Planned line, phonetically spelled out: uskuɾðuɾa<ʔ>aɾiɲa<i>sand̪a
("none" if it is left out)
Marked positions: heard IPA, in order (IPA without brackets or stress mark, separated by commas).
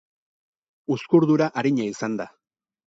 ʔ, i